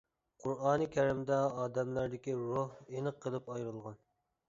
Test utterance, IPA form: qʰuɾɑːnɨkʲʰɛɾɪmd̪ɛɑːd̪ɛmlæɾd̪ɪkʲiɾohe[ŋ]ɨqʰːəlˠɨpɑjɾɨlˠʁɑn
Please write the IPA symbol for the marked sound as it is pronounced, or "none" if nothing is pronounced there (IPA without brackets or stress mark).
n